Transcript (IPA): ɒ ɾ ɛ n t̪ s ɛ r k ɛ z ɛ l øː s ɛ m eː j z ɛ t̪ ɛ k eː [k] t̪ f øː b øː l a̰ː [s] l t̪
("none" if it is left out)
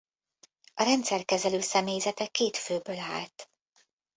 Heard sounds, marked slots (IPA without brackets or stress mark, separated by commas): none, none